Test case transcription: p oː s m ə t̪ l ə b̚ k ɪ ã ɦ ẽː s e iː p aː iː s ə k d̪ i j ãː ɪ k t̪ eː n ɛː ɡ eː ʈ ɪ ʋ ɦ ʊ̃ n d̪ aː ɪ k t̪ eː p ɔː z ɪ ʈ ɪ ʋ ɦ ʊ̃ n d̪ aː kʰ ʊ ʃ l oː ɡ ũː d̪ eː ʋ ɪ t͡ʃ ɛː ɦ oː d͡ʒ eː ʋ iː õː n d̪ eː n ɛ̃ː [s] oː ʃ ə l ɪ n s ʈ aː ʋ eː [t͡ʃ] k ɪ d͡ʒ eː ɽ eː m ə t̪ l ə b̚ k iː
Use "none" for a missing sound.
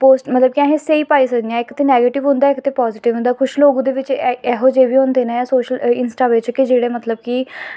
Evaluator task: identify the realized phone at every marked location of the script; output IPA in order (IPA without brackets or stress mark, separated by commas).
s, t͡ʃ